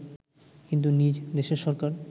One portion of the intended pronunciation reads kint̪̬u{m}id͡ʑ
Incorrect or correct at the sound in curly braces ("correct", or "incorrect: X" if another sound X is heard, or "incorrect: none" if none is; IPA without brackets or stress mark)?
incorrect: n